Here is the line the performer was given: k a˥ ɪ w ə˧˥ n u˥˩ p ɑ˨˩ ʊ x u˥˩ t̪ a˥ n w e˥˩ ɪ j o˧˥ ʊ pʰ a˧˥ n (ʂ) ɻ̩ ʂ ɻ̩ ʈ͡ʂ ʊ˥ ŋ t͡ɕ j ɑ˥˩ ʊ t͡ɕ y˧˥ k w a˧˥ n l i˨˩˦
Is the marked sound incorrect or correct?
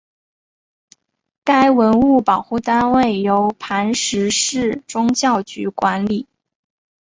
correct